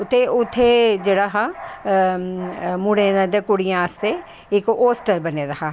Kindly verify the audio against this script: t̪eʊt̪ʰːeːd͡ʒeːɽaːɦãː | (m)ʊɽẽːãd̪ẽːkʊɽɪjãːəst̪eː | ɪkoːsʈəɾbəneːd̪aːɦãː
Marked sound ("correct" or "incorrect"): correct